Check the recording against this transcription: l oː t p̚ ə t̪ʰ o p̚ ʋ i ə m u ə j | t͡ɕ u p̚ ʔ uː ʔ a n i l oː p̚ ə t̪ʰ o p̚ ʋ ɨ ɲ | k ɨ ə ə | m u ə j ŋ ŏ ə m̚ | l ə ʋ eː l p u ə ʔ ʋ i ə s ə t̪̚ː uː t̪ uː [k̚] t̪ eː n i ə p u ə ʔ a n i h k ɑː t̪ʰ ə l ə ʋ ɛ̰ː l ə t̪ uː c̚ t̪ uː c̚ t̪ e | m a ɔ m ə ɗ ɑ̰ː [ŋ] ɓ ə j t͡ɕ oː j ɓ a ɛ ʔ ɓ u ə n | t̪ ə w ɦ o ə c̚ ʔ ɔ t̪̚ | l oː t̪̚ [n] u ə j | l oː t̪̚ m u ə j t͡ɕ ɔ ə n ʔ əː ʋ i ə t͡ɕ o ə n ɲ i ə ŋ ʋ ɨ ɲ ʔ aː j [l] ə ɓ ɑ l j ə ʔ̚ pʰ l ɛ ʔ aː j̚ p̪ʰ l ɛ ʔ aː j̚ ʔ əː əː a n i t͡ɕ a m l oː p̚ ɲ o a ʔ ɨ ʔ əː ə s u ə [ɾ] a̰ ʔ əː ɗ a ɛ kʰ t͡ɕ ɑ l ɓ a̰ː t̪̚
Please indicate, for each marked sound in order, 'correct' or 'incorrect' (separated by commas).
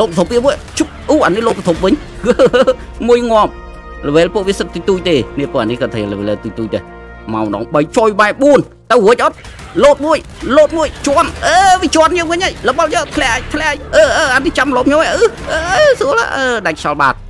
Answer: incorrect, correct, incorrect, correct, incorrect